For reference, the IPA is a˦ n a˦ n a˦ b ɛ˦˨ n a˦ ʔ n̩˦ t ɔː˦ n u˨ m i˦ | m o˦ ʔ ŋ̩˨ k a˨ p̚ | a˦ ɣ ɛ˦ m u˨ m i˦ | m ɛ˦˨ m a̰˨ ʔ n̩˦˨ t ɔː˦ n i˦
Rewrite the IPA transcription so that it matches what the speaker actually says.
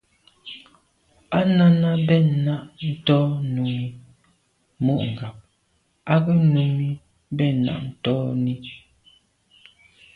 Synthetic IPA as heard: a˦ n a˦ n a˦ b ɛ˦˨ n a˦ ʔ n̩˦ t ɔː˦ n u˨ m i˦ | m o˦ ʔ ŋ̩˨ ɡ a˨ p̚ | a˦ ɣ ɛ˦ n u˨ m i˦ | b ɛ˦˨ n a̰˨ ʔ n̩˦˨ t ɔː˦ n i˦

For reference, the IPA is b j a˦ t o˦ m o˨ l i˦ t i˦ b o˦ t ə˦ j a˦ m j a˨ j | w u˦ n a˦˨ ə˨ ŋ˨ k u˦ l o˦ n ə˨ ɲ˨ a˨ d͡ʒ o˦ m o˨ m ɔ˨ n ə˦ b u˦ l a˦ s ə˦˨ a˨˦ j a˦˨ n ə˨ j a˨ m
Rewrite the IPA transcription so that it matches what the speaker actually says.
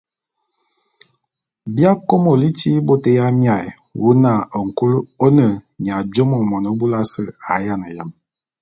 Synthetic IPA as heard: b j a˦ k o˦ m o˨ l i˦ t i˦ b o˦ t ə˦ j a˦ m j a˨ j | w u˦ n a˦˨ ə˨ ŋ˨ k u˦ l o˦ n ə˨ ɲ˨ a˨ d͡ʒ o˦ m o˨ m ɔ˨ n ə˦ b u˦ l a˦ s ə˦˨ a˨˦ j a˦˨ n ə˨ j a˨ m

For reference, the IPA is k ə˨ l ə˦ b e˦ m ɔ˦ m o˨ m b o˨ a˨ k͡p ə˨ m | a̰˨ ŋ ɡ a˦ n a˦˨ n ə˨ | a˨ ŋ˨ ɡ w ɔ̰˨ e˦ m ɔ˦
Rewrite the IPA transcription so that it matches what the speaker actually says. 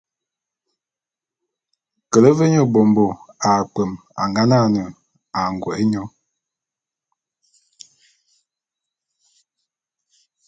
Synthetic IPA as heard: k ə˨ l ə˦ v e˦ ɲ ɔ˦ b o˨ m b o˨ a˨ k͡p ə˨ m | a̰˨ ŋ ɡ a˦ n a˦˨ n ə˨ | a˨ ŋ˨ ɡ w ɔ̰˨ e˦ ɲ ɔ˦

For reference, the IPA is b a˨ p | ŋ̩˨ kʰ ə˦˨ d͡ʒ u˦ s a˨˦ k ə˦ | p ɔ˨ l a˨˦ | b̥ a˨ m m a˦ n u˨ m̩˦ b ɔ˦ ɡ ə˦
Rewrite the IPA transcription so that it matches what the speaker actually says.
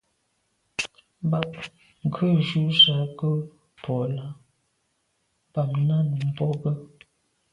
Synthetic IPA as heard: b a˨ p | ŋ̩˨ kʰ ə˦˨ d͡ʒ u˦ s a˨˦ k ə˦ | p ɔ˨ l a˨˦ | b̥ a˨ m n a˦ n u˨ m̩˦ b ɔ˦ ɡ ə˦

